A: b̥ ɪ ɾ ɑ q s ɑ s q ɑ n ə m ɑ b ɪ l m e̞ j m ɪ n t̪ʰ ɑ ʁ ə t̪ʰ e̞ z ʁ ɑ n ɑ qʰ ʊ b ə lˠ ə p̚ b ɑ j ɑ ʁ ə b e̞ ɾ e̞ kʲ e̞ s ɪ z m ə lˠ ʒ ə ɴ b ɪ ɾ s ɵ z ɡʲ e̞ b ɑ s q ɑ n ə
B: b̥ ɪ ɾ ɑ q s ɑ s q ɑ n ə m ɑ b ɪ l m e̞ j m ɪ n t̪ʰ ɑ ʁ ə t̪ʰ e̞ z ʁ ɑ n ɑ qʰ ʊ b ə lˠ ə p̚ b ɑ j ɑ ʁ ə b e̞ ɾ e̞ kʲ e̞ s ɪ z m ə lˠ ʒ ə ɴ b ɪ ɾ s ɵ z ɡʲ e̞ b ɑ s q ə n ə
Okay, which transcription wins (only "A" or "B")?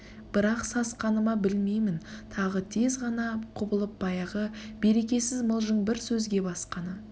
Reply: A